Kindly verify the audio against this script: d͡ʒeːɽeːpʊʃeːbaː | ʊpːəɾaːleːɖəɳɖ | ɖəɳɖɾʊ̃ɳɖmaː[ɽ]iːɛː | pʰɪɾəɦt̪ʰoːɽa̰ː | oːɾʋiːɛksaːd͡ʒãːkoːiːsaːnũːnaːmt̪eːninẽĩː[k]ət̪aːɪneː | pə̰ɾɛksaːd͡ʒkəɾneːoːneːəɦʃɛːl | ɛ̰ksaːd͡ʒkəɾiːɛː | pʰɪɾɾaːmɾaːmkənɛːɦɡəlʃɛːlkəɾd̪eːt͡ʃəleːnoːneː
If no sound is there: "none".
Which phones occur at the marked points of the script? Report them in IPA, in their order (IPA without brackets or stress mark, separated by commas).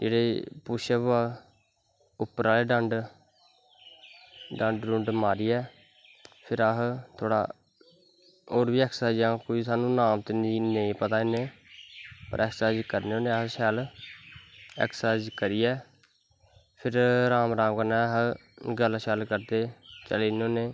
ɾ, p